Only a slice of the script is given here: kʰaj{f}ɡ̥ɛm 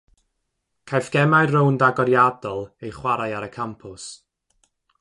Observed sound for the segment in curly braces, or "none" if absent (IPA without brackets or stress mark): f